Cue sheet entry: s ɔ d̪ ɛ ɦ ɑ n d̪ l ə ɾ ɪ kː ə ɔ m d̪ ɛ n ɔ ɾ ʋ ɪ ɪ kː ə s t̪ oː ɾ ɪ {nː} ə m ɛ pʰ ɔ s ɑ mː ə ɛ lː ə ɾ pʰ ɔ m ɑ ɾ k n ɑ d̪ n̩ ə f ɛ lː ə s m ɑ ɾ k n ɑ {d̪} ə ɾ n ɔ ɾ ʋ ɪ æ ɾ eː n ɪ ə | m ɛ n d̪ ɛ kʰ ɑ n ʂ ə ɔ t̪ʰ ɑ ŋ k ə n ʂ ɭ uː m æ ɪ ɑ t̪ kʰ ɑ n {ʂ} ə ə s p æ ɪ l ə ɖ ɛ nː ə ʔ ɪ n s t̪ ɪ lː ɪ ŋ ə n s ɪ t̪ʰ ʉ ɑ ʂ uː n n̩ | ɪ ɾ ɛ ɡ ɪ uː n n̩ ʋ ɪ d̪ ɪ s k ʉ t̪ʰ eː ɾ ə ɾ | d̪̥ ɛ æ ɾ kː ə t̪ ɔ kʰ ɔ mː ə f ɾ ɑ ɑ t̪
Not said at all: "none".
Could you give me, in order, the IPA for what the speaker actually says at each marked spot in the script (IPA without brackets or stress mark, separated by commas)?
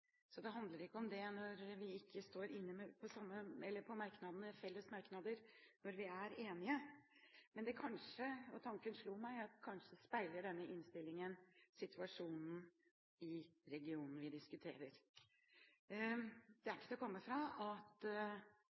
nː, d̪, ʂ